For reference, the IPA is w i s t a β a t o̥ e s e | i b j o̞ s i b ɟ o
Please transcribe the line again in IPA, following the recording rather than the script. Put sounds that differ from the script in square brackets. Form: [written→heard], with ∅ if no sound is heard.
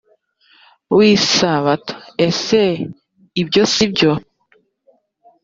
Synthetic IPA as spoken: w i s [t→s] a β a t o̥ e s e | i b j o̞ s i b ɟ o